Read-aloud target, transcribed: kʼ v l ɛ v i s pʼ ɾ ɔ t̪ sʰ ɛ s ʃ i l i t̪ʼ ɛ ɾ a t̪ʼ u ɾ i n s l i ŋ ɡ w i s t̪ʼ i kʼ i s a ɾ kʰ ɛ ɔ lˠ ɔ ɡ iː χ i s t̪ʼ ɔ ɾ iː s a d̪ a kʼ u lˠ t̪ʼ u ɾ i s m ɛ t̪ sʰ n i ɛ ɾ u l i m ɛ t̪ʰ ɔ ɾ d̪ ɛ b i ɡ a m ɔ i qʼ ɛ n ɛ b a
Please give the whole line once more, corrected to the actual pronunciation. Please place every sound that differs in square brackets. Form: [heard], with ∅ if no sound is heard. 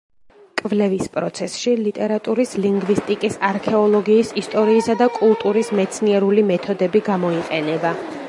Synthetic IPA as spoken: kʼ v l ɛ v i s pʼ ɾ ɔ t̪ sʰ ɛ s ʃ i l i t̪ʼ ɛ ɾ a t̪ʼ u ɾ i [∅] s l i ŋ ɡ [v] i s t̪ʼ i kʼ i s a ɾ kʰ ɛ ɔ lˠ ɔ ɡ iː [s] i s t̪ʼ ɔ ɾ iː s a d̪ a kʼ u lˠ t̪ʼ u ɾ i s m ɛ t̪ sʰ n i ɛ ɾ u l i m ɛ t̪ʰ ɔ [∅] d̪ ɛ b i ɡ a m ɔ i qʼ ɛ n ɛ b a